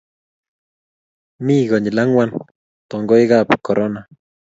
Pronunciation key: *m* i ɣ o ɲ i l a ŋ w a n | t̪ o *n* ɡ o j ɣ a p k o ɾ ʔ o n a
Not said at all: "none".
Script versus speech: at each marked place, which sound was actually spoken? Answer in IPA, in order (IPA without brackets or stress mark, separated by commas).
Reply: m, ŋ